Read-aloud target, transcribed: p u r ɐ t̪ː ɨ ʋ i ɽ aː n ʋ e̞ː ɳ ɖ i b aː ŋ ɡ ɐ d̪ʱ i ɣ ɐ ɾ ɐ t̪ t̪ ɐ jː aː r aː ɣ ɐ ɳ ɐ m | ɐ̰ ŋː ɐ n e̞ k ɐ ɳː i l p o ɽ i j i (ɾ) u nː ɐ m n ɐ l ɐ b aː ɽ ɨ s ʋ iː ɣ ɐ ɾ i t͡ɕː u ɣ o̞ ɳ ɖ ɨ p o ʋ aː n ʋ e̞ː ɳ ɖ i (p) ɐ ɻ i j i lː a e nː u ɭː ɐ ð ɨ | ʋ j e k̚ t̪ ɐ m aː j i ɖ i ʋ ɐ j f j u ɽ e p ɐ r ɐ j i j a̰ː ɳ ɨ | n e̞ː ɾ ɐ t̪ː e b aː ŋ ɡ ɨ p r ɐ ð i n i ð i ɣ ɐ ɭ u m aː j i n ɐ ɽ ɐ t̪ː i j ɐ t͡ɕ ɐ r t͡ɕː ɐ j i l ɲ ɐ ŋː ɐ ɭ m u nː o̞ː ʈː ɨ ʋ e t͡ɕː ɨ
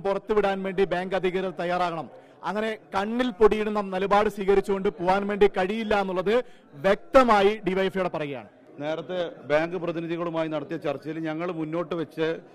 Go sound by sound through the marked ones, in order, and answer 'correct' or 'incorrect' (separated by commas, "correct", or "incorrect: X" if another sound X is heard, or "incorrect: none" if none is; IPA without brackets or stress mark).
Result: incorrect: ɽ, incorrect: k